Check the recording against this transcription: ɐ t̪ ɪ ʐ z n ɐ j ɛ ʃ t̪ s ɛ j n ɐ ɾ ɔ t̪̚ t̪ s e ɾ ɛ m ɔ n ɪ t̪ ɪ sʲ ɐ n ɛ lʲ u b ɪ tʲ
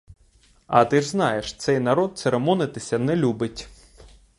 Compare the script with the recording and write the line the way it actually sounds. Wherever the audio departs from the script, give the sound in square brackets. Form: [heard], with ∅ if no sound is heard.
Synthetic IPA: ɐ t̪ ɪ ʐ z n [ɑ] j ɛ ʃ t̪ s ɛ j n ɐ ɾ ɔ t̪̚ t̪ s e ɾ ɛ m ɔ n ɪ t̪ ɪ sʲ ɐ n ɛ lʲ u b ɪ tʲ

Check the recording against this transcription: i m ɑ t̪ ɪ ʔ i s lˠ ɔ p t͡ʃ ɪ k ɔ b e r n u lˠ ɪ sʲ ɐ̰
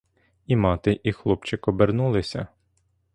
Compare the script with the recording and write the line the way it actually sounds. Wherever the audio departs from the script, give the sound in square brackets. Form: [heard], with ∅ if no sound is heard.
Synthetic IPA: i m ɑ t̪ ɪ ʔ i [x] lˠ ɔ p t͡ʃ ɪ k ɔ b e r n u lˠ ɪ sʲ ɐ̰

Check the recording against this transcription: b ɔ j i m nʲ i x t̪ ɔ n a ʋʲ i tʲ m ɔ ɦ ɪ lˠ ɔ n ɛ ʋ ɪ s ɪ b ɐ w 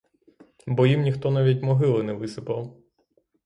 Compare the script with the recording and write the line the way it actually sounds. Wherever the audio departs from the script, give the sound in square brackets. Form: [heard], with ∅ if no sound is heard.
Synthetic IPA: b ɔ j i m nʲ i x t̪ ɔ n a ʋʲ i tʲ m ɔ ɦ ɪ lˠ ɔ n ɛ ʋ ɪ s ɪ [p] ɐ w

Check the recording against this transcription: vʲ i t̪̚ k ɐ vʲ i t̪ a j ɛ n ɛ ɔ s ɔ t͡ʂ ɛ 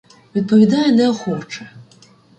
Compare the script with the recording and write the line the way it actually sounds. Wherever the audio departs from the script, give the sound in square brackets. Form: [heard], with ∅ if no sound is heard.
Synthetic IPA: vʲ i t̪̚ [p] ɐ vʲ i [d̪] a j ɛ n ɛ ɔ [x] ɔ t͡ʂ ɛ

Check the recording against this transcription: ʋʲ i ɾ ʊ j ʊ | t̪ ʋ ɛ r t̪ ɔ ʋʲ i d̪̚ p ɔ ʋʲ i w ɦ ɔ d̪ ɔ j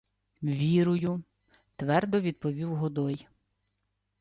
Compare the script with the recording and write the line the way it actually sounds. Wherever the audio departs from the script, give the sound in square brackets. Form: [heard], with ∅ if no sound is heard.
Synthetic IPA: ʋʲ i ɾ ʊ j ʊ | t̪ ʋ ɛ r [d̪] ɔ ʋʲ i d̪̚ p ɔ ʋʲ i w ɦ ɔ d̪ ɔ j

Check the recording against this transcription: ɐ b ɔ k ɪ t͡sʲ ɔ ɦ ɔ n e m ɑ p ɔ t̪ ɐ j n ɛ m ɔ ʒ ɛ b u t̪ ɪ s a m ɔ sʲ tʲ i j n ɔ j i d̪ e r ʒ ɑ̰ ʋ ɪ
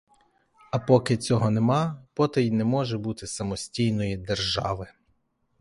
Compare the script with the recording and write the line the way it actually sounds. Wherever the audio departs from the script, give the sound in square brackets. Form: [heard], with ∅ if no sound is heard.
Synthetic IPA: ɐ [p] ɔ k ɪ t͡sʲ ɔ ɦ ɔ n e m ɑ p ɔ t̪ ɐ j n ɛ m ɔ ʒ ɛ b u t̪ ɪ s [ɐ] m ɔ sʲ tʲ i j n ɔ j i d̪ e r ʒ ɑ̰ ʋ ɪ

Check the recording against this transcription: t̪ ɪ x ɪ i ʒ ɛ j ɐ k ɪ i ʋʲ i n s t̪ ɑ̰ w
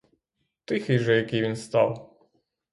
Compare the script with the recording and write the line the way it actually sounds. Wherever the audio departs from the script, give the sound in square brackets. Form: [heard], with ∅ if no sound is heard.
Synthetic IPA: t̪ ɪ x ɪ [j] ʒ ɛ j ɐ k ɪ [j] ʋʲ i n s t̪ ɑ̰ w

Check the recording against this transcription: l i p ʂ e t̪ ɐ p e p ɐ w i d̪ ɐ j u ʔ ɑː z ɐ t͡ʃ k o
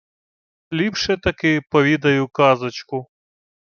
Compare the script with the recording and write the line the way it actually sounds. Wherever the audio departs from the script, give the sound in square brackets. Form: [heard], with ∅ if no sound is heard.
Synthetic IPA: l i p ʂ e t̪ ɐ [k] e p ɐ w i d̪ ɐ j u [k] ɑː z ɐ t͡ʃ k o

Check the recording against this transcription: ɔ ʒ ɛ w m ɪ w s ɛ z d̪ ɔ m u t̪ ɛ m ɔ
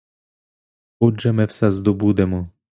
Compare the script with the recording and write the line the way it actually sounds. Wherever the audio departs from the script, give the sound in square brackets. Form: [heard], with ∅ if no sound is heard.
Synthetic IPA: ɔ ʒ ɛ [∅] m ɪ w s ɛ z d̪ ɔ [b] u [d̪] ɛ m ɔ

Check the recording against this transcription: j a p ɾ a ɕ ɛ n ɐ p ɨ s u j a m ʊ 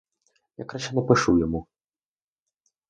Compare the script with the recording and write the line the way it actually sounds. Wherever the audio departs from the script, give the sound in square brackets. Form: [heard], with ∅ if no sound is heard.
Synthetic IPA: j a [k] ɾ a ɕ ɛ n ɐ p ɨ [ʂ] u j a m [u]

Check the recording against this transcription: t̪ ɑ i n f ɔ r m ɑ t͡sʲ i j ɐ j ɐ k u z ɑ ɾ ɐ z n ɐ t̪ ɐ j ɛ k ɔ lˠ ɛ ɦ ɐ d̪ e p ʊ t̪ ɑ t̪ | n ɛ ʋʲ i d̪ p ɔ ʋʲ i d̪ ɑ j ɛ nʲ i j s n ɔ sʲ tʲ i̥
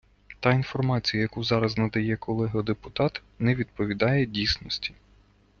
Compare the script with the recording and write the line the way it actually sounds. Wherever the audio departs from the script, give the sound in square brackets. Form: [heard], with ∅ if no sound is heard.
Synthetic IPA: t̪ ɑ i n f ɔ r m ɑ t͡sʲ i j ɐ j ɐ k u z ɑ ɾ ɐ z n ɐ [d̪] ɐ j ɛ k ɔ lˠ ɛ ɦ ɐ d̪ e p ʊ t̪ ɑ t̪ | n ɛ ʋʲ i d̪ p ɔ ʋʲ i d̪ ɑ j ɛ [dʲ] i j s n ɔ sʲ tʲ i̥

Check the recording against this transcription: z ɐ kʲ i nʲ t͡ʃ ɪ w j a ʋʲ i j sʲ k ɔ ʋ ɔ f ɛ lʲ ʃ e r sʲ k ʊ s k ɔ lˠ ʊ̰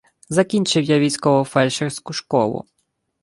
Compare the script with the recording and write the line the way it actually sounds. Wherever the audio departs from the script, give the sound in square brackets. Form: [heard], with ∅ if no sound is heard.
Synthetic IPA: z ɐ kʲ i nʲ t͡ʃ ɪ w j a ʋʲ i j sʲ k ɔ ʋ ɔ f ɛ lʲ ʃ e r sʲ k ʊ [ʃ] k ɔ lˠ ʊ̰

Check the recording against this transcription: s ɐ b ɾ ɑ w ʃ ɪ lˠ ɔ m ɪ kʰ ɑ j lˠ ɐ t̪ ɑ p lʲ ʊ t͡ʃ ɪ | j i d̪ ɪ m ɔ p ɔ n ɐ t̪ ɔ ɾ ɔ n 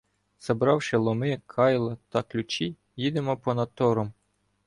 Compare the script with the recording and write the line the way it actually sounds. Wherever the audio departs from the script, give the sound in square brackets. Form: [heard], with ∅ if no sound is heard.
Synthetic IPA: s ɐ b ɾ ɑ w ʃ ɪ lˠ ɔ m ɪ kʰ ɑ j lˠ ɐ t̪ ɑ [k] lʲ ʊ t͡ʃ [i] | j i d̪ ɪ m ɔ p ɔ n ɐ t̪ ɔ ɾ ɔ [m]

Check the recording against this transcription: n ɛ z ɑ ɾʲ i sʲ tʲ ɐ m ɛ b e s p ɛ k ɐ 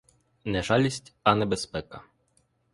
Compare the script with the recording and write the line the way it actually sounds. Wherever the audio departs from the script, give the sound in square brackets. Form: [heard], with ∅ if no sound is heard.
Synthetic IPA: n ɛ [ʒ] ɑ [lʲ] i sʲ tʲ ɐ [n] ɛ b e s p ɛ k ɐ

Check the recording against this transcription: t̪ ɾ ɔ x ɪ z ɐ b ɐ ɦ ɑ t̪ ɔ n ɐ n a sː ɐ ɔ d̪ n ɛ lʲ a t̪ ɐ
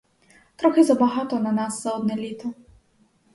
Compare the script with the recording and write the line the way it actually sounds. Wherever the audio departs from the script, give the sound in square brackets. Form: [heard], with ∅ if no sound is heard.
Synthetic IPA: t̪ ɾ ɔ x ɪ z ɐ b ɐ ɦ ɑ t̪ ɔ n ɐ n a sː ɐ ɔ d̪ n ɛ lʲ [i] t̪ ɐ

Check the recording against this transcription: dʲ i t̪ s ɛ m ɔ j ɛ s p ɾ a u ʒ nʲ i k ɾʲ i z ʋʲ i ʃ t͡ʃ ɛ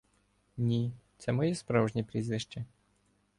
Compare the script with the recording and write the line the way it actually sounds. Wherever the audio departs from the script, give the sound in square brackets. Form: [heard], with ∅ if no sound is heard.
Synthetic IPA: [nʲ] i t̪ s ɛ m ɔ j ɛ s p ɾ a [w] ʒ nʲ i [p] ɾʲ i z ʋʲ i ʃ t͡ʃ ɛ

